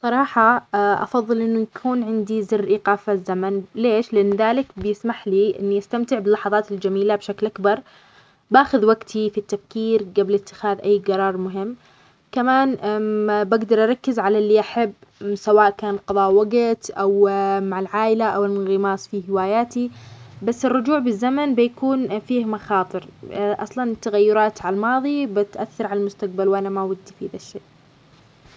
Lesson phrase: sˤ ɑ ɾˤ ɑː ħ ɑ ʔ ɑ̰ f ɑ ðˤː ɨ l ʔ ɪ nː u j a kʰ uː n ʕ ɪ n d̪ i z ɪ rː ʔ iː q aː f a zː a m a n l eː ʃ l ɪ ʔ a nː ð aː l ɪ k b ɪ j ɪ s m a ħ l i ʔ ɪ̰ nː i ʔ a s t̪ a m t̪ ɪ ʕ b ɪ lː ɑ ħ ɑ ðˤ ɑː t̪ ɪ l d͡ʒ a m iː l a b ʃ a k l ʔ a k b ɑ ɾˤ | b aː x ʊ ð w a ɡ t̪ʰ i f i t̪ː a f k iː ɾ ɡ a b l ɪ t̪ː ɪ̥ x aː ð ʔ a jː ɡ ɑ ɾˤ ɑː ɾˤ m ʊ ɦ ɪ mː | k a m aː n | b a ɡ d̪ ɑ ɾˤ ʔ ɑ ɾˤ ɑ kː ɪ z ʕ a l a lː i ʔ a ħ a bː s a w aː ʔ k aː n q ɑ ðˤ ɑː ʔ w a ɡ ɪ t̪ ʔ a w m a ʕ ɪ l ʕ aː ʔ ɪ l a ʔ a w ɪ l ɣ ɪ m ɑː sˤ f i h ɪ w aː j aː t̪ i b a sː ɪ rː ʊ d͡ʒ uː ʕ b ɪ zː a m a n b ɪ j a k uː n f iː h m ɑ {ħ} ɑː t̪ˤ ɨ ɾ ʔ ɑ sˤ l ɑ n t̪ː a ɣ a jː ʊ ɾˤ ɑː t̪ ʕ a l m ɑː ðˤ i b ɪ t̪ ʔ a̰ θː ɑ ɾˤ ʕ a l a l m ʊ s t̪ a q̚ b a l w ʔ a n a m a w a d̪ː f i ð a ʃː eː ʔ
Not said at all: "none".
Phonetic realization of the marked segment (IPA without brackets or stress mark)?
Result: x